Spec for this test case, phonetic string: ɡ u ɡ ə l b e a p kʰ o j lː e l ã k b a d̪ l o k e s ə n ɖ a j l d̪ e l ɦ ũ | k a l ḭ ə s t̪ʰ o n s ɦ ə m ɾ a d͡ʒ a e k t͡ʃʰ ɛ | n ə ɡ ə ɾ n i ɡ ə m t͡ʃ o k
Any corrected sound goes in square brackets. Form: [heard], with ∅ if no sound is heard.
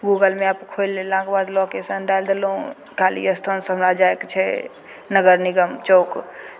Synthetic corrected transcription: ɡ u ɡ ə l [m] e a p kʰ o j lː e l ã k b a d̪ l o k e s ə n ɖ a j l d̪ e l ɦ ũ | k a l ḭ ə s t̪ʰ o n s ɦ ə m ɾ a d͡ʒ a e k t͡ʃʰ ɛ | n ə ɡ ə ɾ n i ɡ ə m t͡ʃ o k